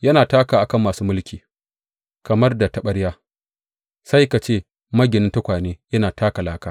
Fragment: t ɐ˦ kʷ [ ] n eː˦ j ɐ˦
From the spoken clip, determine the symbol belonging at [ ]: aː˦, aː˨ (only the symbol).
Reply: aː˨